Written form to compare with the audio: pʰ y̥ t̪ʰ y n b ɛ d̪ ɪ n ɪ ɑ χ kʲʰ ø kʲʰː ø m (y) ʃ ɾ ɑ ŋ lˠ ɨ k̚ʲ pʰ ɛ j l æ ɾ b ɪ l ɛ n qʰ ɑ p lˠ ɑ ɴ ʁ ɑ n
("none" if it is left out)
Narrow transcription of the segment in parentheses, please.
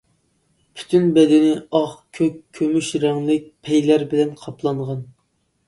y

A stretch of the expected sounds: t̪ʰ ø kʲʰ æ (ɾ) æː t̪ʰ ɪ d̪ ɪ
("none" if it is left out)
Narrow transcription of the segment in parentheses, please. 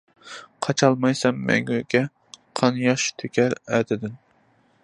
ɾ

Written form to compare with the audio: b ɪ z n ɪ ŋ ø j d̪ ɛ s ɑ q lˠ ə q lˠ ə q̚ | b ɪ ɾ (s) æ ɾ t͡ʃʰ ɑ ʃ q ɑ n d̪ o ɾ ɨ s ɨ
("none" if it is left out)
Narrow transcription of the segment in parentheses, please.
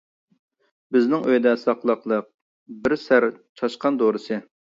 s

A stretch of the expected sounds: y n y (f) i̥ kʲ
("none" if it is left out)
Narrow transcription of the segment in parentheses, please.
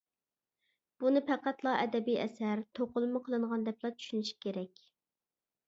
ʃ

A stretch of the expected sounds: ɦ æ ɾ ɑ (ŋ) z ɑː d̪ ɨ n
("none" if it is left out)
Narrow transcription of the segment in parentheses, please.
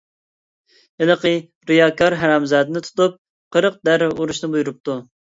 m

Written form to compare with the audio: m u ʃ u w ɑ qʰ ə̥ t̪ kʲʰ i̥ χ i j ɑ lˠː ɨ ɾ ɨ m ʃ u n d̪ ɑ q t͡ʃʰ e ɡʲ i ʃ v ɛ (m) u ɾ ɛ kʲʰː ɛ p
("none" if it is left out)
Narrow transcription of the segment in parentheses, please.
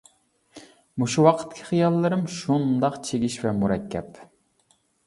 m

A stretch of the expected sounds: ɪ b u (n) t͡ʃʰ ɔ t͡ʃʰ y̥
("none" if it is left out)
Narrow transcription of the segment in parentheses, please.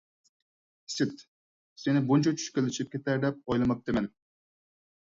n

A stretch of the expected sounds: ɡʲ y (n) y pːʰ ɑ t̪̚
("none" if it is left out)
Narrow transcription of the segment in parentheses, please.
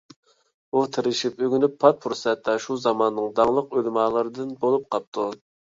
n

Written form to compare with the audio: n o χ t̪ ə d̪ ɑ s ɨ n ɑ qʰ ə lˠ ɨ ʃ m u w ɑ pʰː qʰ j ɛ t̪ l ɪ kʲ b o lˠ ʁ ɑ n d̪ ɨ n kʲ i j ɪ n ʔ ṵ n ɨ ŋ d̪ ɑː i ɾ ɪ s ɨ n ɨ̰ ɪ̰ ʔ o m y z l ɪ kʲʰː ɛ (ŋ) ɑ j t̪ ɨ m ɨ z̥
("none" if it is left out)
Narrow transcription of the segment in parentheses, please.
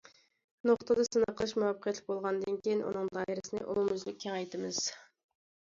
ŋ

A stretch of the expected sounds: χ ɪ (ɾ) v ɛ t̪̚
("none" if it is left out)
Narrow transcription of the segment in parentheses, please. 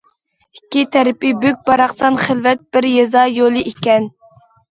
l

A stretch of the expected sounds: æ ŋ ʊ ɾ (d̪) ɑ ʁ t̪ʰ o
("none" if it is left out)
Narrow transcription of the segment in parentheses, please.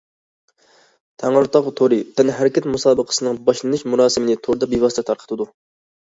t̪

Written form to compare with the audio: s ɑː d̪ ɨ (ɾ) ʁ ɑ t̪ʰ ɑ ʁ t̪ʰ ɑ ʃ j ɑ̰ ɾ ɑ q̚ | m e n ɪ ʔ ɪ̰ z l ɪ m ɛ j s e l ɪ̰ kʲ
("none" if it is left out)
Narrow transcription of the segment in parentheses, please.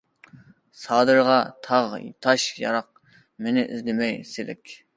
ɾ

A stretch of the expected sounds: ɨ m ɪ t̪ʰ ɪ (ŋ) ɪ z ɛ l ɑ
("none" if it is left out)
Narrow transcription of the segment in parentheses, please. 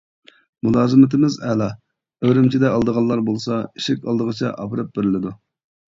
m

